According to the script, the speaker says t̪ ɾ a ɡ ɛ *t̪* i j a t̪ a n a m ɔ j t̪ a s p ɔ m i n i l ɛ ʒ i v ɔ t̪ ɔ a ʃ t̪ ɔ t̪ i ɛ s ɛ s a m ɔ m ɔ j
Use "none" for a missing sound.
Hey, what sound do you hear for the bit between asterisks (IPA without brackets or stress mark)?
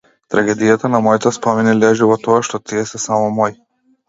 d̪